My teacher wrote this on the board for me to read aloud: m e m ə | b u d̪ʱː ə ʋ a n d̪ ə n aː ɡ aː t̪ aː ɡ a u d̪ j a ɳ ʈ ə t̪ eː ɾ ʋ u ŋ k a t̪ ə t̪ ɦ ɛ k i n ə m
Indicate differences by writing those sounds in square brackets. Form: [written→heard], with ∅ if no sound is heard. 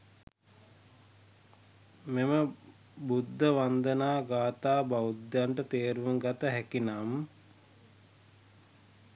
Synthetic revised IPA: m e m ə | b u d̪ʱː ə ʋ a n d̪ ə n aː ɡ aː t̪ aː [ɡ→b] a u d̪ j a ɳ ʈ ə t̪ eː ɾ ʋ u ŋ [k→ɡ] a t̪ ə [t̪→∅] ɦ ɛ k i n [ə→a] m

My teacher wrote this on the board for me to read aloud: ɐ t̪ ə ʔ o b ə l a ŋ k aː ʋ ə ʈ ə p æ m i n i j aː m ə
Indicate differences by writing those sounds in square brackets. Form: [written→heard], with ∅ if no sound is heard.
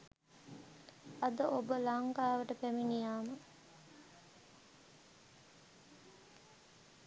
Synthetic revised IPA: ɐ [t̪→d̪] ə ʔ o b ə l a ŋ k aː ʋ ə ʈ ə p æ m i n i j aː m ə

